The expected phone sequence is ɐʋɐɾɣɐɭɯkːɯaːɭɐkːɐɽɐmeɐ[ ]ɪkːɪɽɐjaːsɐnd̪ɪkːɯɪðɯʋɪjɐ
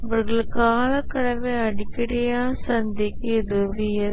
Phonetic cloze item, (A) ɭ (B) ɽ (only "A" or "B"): B